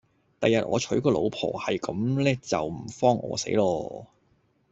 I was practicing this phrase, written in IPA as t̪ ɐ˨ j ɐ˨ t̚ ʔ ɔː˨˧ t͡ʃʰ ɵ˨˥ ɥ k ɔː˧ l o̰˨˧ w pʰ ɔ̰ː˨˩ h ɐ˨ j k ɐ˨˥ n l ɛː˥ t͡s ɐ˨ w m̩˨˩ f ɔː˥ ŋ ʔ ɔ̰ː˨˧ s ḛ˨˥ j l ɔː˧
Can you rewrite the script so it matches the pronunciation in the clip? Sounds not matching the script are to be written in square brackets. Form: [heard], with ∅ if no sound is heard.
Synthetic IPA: t̪ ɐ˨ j ɐ˨ t̚ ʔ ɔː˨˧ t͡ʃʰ ɵ˨˥ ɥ k ɔː˧ l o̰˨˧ w pʰ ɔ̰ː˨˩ h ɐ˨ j k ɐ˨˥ [m] l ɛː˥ t͡s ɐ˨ w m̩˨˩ f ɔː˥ ŋ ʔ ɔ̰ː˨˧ s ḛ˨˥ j l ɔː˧